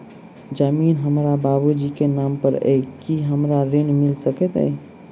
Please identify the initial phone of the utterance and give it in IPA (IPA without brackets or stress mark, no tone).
d͡ʒ